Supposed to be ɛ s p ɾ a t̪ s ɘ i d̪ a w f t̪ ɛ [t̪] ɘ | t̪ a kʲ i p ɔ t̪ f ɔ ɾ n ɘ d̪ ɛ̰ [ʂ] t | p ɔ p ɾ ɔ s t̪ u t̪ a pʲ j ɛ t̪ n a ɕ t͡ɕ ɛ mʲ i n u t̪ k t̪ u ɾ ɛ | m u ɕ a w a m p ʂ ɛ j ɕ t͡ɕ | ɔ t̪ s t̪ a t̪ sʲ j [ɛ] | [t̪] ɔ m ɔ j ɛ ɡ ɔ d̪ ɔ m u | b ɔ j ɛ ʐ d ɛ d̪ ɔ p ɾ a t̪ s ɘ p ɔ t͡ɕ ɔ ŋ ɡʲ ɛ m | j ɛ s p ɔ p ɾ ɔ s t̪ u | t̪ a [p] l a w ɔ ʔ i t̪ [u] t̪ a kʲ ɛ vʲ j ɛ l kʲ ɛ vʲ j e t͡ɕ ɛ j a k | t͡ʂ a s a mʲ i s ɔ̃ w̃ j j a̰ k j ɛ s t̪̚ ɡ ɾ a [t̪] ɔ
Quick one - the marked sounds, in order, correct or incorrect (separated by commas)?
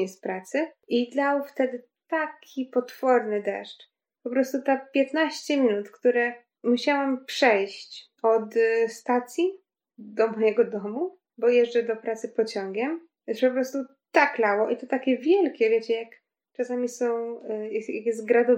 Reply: incorrect, correct, incorrect, incorrect, incorrect, incorrect, incorrect